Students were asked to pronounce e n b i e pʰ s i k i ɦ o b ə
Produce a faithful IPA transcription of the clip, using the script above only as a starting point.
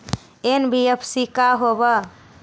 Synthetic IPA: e n b i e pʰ s i k a ɦ o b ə